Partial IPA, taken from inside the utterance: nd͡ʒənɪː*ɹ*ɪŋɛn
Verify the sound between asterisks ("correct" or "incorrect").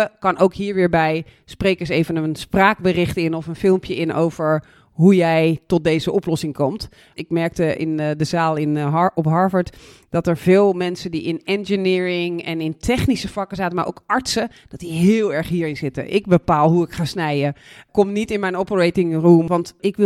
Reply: correct